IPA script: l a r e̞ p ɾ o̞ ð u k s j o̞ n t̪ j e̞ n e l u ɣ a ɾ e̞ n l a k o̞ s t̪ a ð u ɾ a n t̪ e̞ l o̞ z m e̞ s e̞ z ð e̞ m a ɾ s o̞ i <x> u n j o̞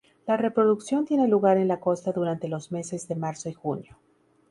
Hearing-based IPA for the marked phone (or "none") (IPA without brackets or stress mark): x